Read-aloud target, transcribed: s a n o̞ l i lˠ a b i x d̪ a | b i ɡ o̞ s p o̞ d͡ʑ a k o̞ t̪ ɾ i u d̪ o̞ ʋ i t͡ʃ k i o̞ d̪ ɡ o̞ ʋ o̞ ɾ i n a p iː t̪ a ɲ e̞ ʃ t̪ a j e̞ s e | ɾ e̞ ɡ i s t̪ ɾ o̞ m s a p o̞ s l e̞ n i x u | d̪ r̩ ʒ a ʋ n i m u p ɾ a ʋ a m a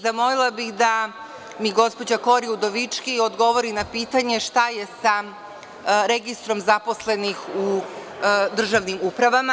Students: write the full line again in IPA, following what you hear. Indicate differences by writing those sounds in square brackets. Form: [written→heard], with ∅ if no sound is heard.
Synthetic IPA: [s→z] a [n→m] o̞ l i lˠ a b i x d̪ a | [b→m] i ɡ o̞ s p o̞ d͡ʑ a k o̞ [t̪→∅] ɾ i u d̪ o̞ ʋ i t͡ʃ k i o̞ d̪ ɡ o̞ ʋ o̞ ɾ i n a p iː t̪ a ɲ e̞ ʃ t̪ a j e̞ s [e→a] | ɾ e̞ ɡ i s t̪ ɾ o̞ m [s→z] a p o̞ s l e̞ n i x u | d̪ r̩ ʒ a ʋ n i m u p ɾ a ʋ a m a